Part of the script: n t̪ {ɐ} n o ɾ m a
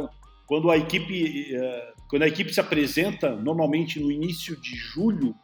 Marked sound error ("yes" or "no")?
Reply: no